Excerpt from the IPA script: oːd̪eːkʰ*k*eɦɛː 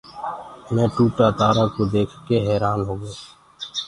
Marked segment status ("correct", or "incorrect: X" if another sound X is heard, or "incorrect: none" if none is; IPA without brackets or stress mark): correct